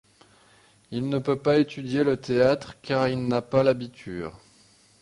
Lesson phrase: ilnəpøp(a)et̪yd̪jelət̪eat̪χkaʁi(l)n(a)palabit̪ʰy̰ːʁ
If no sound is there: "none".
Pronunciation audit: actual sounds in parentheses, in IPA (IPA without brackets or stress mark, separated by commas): a, l, a